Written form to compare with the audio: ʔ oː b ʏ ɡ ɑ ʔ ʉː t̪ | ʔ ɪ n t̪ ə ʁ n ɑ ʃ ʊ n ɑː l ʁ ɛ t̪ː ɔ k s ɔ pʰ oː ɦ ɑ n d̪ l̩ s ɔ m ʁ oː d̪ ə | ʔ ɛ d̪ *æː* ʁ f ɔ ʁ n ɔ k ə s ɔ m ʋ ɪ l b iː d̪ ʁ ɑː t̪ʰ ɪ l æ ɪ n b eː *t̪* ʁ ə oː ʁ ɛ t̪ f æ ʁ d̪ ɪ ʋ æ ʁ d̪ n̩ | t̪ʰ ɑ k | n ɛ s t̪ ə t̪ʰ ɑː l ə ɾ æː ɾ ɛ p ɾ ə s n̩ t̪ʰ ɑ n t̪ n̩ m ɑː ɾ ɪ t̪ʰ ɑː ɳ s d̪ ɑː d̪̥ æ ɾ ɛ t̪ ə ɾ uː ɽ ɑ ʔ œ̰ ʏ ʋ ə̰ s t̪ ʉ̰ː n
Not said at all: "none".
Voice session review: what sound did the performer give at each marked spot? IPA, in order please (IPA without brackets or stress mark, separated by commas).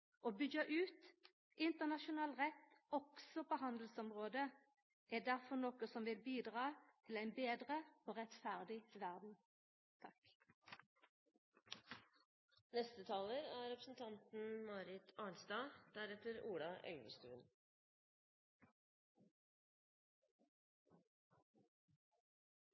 æ, d̪